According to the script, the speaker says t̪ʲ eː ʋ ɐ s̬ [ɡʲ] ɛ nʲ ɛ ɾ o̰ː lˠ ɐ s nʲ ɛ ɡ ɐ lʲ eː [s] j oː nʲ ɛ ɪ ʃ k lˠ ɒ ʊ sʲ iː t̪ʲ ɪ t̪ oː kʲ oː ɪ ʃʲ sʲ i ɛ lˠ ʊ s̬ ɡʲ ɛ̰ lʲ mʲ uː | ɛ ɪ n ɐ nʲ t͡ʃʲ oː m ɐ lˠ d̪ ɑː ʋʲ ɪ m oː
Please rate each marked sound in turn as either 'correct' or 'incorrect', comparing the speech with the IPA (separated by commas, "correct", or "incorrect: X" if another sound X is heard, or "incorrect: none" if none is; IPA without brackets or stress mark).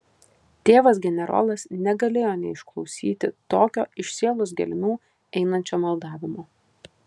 correct, incorrect: none